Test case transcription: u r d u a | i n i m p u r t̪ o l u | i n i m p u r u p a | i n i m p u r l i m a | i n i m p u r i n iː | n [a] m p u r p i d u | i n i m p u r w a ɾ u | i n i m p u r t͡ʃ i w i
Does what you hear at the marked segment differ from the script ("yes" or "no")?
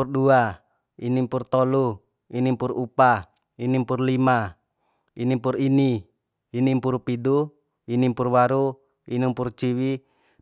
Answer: yes